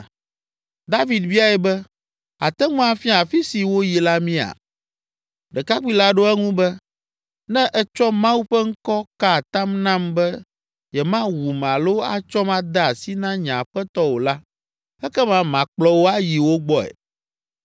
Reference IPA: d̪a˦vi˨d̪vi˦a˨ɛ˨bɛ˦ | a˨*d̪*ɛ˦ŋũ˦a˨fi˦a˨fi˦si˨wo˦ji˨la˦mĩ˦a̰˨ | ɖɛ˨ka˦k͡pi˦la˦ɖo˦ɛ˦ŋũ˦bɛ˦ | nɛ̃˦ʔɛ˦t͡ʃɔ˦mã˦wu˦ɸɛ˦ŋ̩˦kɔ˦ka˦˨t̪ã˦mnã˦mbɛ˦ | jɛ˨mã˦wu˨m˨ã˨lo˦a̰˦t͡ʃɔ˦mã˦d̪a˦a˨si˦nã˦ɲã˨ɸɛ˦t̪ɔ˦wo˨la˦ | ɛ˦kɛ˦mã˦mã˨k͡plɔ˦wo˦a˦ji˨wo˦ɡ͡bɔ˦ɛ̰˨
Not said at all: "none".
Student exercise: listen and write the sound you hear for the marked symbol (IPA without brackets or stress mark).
t̪